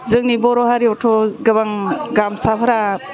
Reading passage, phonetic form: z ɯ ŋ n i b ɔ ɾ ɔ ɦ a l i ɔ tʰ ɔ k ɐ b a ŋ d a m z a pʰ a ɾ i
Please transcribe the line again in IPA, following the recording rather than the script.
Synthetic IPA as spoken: z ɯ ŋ n i b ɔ ɾ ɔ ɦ a ɾ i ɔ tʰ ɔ ɡ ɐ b a ŋ ɡ a m s a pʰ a ɾ a